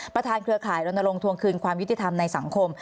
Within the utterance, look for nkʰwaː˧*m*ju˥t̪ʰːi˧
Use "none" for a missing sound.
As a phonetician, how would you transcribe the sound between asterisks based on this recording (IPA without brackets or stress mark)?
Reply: m